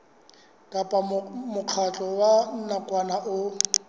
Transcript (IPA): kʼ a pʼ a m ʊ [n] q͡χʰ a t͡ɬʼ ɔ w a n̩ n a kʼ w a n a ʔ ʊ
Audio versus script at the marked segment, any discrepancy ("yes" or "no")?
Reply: yes